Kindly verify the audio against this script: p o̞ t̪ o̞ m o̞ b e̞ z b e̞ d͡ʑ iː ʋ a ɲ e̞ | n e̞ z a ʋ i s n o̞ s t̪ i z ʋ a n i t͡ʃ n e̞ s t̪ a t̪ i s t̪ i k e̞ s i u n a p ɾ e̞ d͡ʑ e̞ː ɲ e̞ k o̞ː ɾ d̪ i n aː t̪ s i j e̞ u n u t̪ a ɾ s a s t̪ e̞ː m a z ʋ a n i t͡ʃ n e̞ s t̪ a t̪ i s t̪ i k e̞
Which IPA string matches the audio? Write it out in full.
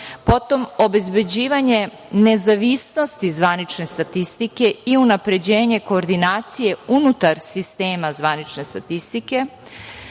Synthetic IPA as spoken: p o̞ t̪ o̞ m o̞ b e̞ z b e̞ d͡ʑ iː ʋ a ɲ e̞ | n e̞ z a ʋ i s n o̞ s t̪ i z ʋ a n i t͡ʃ n e̞ s t̪ a t̪ i s t̪ i k e̞ i u n a p ɾ e̞ d͡ʑ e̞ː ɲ e̞ k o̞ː ɾ d̪ i n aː t̪ s i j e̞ u n u t̪ a ɾ s i s t̪ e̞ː m a z ʋ a n i t͡ʃ n e̞ s t̪ a t̪ i s t̪ i k e̞